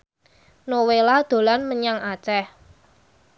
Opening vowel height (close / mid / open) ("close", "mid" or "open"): mid